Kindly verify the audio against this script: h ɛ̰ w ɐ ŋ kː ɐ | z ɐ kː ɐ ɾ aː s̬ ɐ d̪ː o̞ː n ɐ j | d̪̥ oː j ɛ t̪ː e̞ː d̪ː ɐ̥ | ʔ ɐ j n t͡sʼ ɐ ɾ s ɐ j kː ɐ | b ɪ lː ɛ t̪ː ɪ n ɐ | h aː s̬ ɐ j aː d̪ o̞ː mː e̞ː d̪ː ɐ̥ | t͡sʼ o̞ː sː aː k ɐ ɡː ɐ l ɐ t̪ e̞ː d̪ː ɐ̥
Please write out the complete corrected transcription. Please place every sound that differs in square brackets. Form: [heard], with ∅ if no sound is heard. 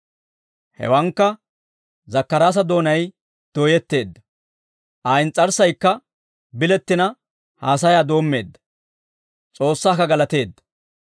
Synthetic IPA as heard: h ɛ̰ w ɐ ŋ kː ɐ | z ɐ kː ɐ ɾ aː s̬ ɐ [d̪] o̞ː n ɐ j | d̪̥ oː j ɛ t̪ː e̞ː d̪ː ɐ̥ | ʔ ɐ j n t͡sʼ ɐ ɾ s ɐ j kː ɐ | b ɪ [l] ɛ t̪ː ɪ n ɐ | h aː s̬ ɐ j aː d̪ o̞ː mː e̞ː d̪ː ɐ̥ | t͡sʼ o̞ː sː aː k ɐ [ɡ] ɐ l ɐ t̪ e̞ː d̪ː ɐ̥